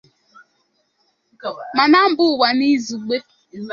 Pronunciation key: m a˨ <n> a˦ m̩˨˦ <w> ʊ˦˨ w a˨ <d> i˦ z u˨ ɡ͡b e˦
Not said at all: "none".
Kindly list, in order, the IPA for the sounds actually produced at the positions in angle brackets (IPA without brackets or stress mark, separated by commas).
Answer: n, b, n